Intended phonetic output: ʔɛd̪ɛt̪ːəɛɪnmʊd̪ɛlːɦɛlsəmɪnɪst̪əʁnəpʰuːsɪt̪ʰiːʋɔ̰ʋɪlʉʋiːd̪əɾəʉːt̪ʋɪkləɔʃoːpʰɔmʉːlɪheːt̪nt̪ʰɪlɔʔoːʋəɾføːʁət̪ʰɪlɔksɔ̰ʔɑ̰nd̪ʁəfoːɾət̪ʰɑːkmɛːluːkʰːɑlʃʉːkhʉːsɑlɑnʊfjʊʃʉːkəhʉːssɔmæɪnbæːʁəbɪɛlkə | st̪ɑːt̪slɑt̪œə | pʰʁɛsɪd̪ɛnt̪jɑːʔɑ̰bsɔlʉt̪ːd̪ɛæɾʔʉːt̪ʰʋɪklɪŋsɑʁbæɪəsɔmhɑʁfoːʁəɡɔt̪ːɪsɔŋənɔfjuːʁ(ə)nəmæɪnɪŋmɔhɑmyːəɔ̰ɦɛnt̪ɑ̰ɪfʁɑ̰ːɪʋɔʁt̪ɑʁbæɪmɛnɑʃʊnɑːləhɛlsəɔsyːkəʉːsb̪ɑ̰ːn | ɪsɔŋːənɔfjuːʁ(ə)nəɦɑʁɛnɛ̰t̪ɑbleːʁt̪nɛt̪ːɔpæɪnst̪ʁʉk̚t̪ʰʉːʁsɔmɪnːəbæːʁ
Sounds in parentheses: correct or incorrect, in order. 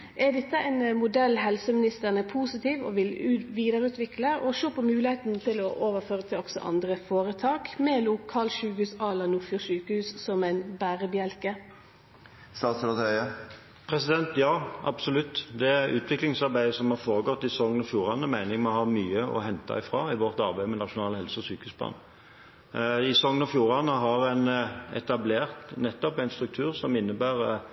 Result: incorrect, incorrect

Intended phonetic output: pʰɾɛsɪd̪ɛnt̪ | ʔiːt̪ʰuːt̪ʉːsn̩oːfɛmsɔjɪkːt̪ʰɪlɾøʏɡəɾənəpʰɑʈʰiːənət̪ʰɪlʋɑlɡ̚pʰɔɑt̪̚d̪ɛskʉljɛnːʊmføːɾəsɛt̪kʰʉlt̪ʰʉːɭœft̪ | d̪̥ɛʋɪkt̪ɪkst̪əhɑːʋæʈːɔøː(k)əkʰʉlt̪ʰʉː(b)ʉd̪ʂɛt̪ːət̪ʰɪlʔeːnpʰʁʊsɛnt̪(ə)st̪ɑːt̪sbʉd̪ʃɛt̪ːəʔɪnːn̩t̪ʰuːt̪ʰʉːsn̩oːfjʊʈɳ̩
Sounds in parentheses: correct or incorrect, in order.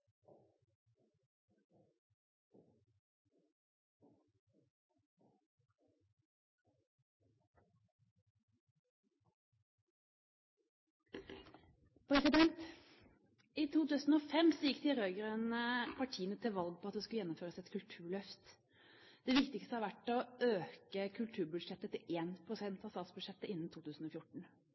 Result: correct, correct, incorrect

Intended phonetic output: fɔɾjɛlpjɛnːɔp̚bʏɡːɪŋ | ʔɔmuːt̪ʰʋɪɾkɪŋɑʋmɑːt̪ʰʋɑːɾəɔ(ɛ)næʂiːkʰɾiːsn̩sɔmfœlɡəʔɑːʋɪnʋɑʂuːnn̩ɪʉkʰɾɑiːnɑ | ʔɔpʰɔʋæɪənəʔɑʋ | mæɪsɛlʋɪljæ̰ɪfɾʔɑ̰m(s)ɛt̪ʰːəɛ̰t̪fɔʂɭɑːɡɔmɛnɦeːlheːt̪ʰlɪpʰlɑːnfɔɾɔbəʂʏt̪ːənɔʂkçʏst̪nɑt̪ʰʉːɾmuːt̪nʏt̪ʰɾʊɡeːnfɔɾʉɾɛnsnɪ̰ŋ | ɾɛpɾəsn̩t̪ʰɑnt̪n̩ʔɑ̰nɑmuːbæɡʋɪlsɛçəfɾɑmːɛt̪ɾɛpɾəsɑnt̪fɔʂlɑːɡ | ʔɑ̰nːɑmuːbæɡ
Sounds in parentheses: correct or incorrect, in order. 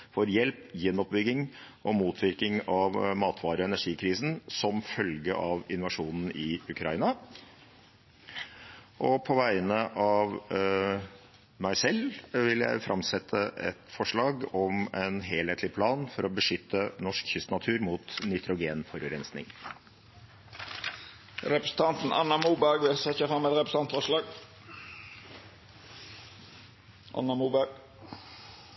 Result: correct, correct

